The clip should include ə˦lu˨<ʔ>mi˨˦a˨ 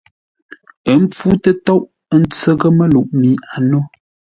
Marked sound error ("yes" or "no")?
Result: no